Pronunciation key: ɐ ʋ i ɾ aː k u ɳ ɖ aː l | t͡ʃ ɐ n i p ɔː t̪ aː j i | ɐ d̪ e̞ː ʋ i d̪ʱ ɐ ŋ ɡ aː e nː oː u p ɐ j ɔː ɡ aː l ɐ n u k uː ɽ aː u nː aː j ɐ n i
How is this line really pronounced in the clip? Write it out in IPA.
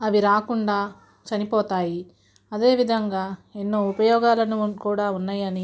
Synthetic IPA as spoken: ɐ ʋ i ɾ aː k u ɳ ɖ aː | t͡ʃ ɐ n i p ɔː t̪ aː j i | ɐ d̪ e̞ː ʋ i d̪ʱ ɐ ŋ ɡ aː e nː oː u p ɐ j ɔː ɡ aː l ɐ n u k uː ɽ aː u nː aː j ɐ n i

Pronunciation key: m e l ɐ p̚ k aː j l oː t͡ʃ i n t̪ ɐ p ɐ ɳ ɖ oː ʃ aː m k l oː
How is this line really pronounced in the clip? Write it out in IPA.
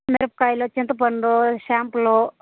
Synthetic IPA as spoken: m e ɾ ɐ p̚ k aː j l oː t͡ʃ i n t̪ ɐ p ɐ ɳ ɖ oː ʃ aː m p l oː

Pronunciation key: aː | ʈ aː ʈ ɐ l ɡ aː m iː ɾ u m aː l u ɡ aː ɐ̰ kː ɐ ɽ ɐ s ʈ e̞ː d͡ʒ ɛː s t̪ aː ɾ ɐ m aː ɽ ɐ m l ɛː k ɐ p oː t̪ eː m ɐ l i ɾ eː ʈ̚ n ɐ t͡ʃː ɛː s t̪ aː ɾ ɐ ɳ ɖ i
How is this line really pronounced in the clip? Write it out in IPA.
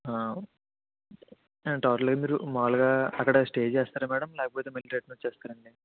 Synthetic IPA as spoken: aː | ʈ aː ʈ ɐ l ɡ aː m iː ɾ u m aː l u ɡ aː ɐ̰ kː ɐ ɽ ɐ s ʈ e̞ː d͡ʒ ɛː s t̪ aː ɾ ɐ m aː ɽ ɐ m l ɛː k ɐ p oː t̪ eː m ɐ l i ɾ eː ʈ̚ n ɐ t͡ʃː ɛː s t̪ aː ɾ ɐ ɳ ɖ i

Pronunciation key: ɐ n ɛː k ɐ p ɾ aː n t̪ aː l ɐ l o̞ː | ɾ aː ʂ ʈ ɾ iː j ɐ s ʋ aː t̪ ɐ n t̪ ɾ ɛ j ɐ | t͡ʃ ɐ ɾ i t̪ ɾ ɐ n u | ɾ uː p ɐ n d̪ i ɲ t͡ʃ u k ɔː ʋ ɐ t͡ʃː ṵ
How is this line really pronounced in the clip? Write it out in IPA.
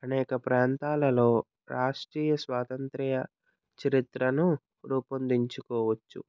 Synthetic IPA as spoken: ɐ n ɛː k ɐ p ɾ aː n t̪ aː l ɐ l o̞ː | ɾ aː ʂ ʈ ɾ iː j ɐ s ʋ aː t̪ ɐ n t̪ ɾ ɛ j ɐ | t͡ʃ ɐ ɾ i t̪ ɾ ɐ n u | ɾ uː p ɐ n d̪ i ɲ t͡ʃ u k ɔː ʋ ɐ t͡ʃː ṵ

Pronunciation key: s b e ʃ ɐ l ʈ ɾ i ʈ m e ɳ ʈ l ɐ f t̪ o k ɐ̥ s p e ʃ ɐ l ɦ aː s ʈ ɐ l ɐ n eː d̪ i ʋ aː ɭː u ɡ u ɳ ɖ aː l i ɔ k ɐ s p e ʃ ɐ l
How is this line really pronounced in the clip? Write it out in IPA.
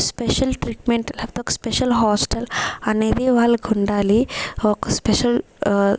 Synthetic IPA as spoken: s p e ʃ ɐ l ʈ ɾ i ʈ m e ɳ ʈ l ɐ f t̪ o k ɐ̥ s p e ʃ ɐ l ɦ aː s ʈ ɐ l ɐ n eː d̪ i ʋ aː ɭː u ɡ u ɳ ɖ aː l i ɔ k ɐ s p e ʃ ɐ l

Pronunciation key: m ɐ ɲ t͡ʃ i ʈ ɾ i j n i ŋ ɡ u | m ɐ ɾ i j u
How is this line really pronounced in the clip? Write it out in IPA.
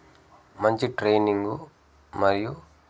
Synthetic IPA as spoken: m ɐ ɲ t͡ʃ i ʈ ɾ e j n i ŋ ɡ u | m ɐ ɾ i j u

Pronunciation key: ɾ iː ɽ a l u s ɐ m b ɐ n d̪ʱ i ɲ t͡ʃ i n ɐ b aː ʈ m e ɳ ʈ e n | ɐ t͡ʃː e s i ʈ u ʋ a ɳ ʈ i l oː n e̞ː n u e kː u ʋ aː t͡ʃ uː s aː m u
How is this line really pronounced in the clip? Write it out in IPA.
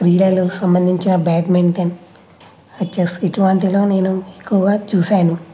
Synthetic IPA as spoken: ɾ iː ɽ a l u s ɐ m b ɐ n d̪ʱ i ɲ t͡ʃ i n ɐ b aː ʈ m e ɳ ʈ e n | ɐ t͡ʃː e s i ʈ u ʋ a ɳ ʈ i l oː n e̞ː n u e kː u ʋ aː t͡ʃ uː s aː n u

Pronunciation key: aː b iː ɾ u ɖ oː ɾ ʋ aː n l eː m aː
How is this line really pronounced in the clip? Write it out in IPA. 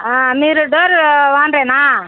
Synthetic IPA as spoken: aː m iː ɾ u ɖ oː ɾ ʋ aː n ɾ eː n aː

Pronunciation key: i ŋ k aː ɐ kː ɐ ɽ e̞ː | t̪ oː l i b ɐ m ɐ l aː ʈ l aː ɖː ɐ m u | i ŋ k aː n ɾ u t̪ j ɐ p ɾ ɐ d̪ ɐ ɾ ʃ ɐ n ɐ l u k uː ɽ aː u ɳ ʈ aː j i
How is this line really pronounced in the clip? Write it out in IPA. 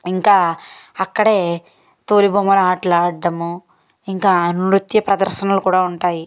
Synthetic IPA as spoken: i ŋ k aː ɐ kː ɐ ɽ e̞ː | t̪ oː l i b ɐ m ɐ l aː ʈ l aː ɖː ɐ m u | i ŋ k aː n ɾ u t̪ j ɐ p ɾ ɐ d̪ ɐ ɾ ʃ ɐ n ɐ l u k uː ɽ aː u ɳ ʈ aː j i

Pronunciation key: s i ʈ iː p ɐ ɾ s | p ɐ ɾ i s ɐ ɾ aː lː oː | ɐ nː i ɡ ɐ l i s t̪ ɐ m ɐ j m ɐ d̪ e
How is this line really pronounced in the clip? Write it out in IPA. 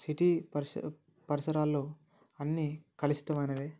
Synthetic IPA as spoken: s i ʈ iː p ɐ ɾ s | p ɐ ɾ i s ɐ ɾ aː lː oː | ɐ nː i k ɐ l i s t̪ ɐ m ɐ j n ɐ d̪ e

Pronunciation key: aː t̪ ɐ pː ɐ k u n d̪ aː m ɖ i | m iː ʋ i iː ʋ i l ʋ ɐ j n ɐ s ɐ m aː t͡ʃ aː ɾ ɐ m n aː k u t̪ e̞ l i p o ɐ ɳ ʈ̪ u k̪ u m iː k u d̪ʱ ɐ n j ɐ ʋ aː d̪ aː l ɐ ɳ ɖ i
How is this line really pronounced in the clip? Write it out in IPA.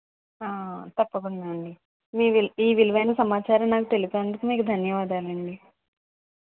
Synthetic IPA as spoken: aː t̪ ɐ pː ɐ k u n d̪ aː ɳ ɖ i | m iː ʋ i iː ʋ i l ʋ ɐ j n ɐ s ɐ m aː t͡ʃ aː ɾ ɐ m n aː k u t̪ e̞ l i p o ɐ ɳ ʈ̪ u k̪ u m iː k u d̪ʱ ɐ n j ɐ ʋ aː d̪ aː l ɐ ɳ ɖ i

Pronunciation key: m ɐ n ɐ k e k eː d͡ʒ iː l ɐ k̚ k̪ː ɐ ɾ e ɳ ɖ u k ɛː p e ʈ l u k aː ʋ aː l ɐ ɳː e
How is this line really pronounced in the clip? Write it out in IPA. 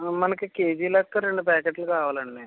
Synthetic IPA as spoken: m ɐ n ɐ k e k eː d͡ʒ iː l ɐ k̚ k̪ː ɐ ɾ e ɳ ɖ u p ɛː k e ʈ l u k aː ʋ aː l ɐ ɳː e

